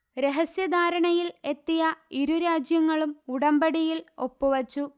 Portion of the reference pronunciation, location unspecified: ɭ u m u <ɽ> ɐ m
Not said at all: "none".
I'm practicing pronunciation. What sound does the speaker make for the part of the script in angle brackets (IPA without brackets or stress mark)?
ɽ